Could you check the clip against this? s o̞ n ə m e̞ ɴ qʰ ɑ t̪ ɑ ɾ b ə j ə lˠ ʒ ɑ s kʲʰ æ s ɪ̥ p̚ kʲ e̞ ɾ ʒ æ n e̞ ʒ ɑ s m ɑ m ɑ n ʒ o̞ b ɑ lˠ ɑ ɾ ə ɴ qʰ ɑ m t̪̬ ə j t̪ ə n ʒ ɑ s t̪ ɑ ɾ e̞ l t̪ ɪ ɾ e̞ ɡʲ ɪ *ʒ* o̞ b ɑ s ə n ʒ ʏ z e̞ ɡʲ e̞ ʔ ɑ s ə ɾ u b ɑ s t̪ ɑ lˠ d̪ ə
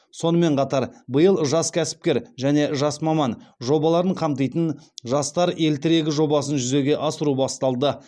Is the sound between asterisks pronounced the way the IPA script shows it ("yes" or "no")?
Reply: yes